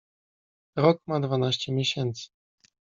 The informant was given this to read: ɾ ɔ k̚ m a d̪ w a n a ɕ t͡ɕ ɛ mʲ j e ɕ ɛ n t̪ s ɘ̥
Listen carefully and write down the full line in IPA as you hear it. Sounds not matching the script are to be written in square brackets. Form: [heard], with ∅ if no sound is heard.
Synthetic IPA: ɾ ɔ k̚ m a d̪ [v] a n a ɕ t͡ɕ ɛ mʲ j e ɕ ɛ n t̪ s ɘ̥